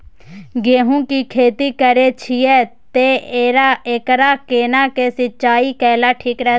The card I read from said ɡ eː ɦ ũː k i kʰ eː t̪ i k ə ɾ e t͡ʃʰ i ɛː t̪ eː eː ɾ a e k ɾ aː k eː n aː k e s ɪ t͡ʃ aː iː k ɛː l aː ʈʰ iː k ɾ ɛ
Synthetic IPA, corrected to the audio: ɡ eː ɦ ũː k i kʰ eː t̪ i k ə ɾ e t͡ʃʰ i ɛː t̪ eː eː ɾ a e k ɾ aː k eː n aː k e s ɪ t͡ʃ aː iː k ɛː l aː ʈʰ iː k ɾ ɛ